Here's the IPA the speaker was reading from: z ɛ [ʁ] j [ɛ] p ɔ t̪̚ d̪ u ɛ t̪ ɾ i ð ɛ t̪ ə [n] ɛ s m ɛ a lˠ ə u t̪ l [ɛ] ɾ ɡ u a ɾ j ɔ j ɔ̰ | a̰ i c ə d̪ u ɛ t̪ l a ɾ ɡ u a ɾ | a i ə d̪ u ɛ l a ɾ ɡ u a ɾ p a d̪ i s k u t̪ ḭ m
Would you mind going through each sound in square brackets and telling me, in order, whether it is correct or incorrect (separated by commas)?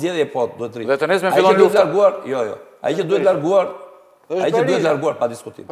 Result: incorrect, correct, correct, incorrect